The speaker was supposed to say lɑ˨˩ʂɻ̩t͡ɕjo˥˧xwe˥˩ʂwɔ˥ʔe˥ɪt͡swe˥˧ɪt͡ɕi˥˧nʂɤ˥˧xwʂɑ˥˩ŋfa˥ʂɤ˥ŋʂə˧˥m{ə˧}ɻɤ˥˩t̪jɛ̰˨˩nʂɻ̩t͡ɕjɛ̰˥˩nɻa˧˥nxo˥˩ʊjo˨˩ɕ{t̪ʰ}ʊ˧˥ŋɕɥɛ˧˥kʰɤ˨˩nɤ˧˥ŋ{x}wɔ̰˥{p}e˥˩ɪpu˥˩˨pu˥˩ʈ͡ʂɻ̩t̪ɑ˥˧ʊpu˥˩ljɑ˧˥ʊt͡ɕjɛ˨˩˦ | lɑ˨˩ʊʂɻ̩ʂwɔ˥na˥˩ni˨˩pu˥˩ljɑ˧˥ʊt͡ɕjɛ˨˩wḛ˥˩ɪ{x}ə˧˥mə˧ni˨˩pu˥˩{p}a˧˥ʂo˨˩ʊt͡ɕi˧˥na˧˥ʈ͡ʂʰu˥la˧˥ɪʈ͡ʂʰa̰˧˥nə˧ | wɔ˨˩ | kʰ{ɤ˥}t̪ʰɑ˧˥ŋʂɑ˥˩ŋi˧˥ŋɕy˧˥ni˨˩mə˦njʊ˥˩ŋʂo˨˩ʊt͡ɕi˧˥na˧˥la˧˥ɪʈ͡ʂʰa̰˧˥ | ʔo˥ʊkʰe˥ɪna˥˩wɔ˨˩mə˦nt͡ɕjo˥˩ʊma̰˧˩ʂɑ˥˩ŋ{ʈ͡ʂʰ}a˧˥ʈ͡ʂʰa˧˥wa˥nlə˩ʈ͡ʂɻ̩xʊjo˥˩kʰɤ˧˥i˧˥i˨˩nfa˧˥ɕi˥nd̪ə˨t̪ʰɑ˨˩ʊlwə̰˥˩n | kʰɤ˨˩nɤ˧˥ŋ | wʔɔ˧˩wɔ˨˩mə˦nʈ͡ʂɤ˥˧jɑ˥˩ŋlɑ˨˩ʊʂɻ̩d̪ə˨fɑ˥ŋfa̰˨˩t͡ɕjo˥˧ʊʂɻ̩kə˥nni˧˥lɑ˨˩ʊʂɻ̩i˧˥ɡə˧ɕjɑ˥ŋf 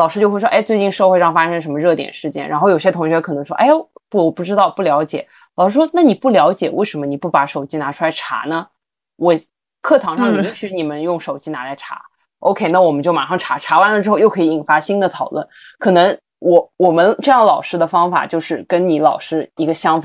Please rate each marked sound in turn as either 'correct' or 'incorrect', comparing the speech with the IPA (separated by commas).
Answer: correct, correct, incorrect, incorrect, incorrect, correct, incorrect, correct